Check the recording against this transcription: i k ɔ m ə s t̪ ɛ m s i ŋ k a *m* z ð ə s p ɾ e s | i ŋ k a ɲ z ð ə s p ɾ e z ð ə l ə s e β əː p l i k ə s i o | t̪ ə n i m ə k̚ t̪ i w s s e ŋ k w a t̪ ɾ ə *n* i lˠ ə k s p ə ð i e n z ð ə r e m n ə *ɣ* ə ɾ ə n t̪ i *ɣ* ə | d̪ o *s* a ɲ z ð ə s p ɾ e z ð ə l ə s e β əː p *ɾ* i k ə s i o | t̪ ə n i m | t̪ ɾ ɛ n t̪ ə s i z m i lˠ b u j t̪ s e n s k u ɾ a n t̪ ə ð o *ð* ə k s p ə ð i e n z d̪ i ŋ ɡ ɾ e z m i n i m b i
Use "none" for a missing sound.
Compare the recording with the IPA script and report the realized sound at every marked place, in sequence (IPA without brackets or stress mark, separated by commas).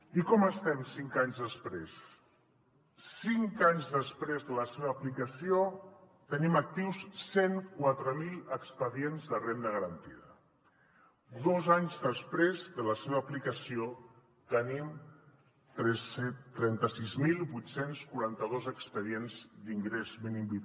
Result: ɲ, m, ɣ, ð, z, l, z